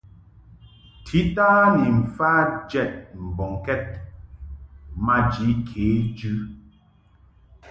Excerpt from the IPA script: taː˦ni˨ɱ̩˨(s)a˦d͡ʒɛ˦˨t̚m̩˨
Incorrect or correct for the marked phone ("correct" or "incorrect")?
incorrect